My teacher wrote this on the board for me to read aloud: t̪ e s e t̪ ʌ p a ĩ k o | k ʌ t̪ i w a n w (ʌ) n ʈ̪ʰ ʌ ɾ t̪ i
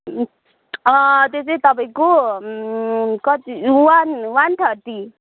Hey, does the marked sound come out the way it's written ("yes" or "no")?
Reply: no